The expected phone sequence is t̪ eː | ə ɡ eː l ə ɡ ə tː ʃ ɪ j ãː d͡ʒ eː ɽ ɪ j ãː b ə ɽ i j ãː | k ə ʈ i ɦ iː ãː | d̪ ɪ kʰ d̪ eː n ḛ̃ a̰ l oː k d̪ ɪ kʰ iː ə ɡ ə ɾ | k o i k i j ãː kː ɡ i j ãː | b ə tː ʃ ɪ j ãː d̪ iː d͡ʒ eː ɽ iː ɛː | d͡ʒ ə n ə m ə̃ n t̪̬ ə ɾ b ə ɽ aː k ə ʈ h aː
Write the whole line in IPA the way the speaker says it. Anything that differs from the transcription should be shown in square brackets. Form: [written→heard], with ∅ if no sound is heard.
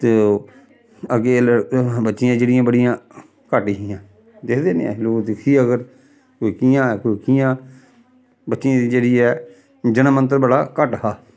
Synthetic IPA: t̪ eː | ə ɡ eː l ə [ɡ→b] ə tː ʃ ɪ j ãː d͡ʒ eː ɽ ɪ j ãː b ə ɽ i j ãː | k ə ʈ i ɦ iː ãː | d̪ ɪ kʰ d̪ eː n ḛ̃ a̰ l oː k d̪ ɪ kʰ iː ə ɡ ə ɾ | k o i k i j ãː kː [ɡ→k] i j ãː | b ə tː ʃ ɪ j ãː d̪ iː d͡ʒ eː ɽ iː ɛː | d͡ʒ ə n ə m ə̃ n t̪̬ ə ɾ b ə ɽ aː k ə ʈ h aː